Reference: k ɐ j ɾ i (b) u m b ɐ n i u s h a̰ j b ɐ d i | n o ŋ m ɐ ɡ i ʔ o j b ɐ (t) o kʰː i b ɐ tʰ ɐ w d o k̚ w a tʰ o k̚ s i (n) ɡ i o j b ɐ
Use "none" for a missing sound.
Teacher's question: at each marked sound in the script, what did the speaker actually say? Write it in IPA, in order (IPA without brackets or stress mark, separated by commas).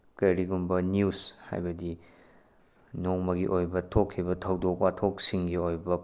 ɡ, tʰ, ŋ